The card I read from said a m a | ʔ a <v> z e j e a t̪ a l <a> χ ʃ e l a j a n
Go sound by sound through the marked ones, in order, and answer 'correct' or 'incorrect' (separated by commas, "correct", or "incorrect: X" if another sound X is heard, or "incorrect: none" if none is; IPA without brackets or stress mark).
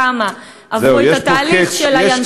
correct, incorrect: i